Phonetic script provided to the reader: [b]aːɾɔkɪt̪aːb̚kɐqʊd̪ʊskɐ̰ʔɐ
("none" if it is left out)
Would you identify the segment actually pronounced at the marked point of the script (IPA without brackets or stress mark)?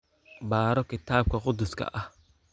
b